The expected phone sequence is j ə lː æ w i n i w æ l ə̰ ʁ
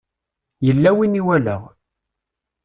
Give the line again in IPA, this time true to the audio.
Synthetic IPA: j ə lː æ w i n i w æ l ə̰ ʁ